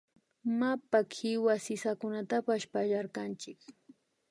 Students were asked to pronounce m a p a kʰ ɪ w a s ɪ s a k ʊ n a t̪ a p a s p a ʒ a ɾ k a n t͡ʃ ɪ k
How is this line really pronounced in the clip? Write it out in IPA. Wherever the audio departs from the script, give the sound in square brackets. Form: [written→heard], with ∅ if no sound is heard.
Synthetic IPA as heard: m a p a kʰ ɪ w a s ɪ s a k ʊ n a t̪ a p a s p a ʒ a ɾ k a n t͡ʃ ɪ k